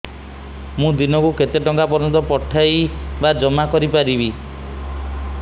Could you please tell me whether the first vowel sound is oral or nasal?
nasal